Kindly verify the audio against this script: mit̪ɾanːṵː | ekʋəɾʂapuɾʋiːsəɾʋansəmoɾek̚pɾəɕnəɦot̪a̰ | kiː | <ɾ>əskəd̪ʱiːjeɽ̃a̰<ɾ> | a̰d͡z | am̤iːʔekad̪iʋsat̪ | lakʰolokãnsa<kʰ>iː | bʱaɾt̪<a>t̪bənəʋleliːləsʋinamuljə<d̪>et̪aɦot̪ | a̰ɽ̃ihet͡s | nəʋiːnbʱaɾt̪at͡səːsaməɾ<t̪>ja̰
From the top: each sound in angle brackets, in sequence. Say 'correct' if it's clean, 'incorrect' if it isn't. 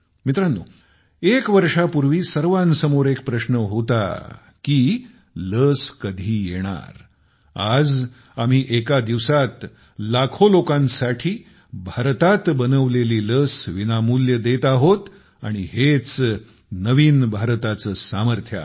incorrect: l, correct, incorrect: ʈʰ, correct, correct, incorrect: t̪ʰ

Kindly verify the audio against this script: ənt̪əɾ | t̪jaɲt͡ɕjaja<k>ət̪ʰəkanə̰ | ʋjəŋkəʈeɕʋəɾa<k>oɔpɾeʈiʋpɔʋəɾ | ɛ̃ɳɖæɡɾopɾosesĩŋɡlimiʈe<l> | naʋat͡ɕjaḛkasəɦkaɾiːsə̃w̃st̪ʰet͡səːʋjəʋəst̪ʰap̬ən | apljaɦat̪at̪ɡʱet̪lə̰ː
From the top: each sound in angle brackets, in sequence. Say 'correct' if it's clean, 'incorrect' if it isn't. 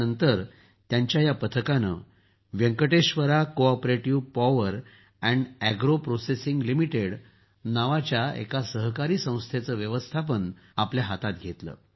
incorrect: p, correct, incorrect: ɽ

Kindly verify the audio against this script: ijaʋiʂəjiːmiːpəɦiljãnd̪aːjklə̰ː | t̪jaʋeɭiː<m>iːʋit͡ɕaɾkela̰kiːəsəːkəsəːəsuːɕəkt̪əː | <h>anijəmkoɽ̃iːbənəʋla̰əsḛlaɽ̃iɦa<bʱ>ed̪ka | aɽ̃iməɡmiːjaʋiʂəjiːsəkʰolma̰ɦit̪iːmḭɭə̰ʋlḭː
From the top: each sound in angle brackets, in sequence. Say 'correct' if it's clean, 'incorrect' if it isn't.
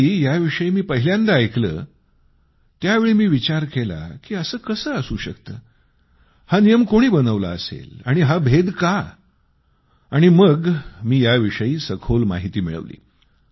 correct, correct, correct

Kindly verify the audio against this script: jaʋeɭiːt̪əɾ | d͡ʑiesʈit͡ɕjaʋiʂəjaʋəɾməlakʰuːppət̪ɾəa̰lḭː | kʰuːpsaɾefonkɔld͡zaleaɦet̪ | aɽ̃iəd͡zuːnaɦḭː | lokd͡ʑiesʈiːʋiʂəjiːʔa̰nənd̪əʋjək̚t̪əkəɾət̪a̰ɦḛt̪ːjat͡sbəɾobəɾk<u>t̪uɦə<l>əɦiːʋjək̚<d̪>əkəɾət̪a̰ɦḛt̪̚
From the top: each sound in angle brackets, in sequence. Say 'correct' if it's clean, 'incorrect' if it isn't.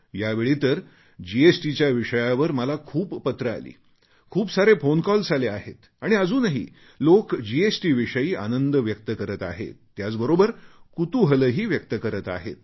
correct, correct, incorrect: t̪

